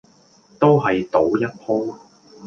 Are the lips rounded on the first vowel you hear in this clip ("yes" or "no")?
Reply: yes